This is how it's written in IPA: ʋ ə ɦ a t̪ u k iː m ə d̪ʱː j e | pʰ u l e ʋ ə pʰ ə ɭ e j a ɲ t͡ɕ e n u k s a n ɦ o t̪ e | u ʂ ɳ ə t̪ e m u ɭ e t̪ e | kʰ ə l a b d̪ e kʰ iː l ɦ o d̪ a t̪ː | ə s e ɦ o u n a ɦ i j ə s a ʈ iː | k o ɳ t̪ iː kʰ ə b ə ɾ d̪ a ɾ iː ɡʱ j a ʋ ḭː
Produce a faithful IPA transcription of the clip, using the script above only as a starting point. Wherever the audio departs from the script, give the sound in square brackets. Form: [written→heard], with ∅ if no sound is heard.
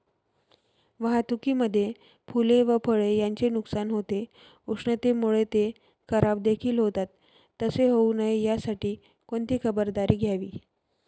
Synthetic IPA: ʋ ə ɦ a t̪ u k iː m ə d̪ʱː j e | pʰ u l e ʋ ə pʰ ə ɭ e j a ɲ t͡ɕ e n u k s a n ɦ o t̪ e | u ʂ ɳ ə t̪ e m u ɭ e t̪ e | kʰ ə [l→ɾ] a b d̪ e kʰ iː l ɦ o [d̪→t̪] a t̪ː | ə s e ɦ o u n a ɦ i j [ə→a] s a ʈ iː | k o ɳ t̪ iː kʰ ə b ə ɾ d̪ a ɾ iː ɡʱ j a ʋ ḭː